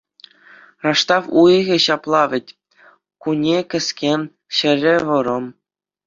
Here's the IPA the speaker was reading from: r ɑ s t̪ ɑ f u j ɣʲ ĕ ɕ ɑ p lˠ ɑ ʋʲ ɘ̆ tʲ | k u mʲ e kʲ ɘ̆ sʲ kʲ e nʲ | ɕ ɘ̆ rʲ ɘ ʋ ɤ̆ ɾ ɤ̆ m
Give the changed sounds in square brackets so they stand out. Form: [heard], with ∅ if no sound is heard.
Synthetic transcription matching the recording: r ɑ [ʂ] t̪ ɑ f u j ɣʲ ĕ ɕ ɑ p lˠ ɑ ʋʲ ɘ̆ tʲ | k u [nʲ] e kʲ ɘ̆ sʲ kʲ e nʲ | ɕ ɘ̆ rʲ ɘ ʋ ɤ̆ ɾ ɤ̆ m